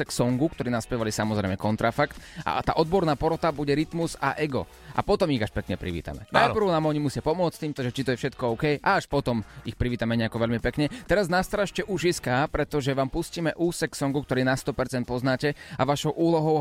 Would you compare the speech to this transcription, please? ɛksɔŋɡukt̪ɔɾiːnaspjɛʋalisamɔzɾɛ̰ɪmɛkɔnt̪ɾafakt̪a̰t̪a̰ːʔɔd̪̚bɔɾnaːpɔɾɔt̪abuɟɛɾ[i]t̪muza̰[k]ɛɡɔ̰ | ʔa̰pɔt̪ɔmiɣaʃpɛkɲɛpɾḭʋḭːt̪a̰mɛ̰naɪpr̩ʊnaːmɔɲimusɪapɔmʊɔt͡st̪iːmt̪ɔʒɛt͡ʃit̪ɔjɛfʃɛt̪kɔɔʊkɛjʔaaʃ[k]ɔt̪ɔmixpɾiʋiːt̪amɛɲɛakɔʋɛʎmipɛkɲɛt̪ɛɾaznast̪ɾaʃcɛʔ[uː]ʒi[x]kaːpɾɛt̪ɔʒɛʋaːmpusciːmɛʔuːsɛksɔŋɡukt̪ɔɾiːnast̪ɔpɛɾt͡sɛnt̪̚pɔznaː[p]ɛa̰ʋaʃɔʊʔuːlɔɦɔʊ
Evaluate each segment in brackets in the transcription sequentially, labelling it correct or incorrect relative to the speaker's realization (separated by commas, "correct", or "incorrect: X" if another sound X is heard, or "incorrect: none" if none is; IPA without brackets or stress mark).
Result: correct, incorrect: ʔ, incorrect: p, incorrect: u, incorrect: s, incorrect: c